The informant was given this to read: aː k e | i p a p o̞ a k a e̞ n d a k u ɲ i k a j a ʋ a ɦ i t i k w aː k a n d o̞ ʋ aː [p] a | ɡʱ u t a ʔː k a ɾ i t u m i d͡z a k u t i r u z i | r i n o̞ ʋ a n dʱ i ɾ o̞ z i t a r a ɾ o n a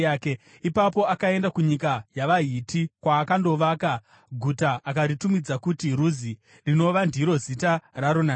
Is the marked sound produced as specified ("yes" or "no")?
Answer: no